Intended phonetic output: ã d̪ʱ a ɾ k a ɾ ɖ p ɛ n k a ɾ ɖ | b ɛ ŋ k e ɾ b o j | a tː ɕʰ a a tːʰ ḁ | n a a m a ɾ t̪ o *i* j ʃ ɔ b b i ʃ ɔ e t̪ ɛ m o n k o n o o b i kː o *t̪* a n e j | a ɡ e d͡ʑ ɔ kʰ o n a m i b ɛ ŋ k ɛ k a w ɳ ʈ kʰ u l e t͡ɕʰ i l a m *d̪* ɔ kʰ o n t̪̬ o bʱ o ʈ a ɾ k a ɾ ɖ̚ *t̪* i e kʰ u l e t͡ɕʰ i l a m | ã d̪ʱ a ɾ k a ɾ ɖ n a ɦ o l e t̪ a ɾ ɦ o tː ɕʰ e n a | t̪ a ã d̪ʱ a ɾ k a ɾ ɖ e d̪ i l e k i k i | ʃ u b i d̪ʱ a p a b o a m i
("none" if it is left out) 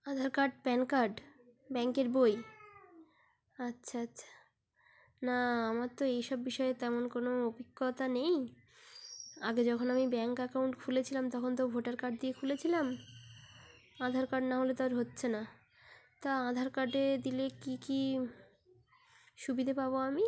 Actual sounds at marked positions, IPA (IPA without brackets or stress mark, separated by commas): e, t̪, t̪, d̪